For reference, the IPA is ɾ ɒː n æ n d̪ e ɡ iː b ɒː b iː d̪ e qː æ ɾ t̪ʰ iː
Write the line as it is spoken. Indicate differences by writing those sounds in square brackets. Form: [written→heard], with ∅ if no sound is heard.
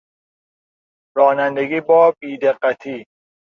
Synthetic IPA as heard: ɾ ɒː n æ n d̪ e ɡ iː b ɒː b iː d̪ e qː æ [ɾ→∅] t̪ʰ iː